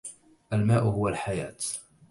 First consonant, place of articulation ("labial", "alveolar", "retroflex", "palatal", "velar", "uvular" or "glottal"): glottal